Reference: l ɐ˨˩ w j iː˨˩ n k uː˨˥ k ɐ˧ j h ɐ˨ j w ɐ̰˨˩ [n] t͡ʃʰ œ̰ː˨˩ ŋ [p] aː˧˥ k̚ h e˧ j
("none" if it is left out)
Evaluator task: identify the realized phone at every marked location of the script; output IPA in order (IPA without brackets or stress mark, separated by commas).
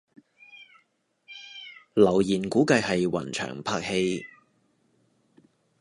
n, pʰ